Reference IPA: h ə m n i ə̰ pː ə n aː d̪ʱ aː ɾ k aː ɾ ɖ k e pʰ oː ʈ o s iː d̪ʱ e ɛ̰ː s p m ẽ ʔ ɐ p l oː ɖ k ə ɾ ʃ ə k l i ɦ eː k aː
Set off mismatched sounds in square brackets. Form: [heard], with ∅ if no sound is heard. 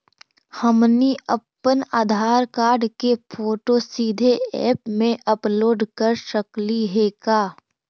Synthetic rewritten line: h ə m n i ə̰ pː ə n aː d̪ʱ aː ɾ k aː ɾ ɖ k e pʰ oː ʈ o s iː d̪ʱ e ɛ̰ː [∅] p m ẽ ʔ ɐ p l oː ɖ k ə ɾ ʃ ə k l i ɦ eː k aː